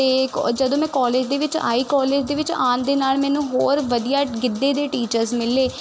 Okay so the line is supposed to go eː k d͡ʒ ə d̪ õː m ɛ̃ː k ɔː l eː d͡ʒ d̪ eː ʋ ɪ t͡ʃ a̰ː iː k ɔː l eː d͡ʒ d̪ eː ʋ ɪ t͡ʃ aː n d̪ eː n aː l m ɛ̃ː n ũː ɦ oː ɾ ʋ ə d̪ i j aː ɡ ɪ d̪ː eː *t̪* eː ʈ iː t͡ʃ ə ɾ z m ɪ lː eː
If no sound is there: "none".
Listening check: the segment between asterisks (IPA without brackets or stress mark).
d̪